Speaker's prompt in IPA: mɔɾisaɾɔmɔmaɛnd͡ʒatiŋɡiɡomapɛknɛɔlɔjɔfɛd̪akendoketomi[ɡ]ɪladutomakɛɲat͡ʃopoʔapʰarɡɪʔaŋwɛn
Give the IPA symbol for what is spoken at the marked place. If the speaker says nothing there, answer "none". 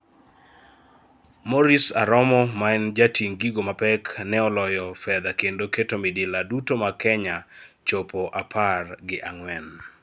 d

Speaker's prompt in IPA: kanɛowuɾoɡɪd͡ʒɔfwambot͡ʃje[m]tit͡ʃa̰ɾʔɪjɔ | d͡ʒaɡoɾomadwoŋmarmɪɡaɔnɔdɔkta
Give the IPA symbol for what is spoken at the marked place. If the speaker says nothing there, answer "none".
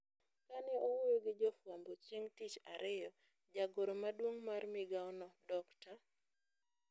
ŋ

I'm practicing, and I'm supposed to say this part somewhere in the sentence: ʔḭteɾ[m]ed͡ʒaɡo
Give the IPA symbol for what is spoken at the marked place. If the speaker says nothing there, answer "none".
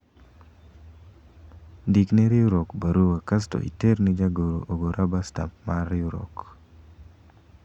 n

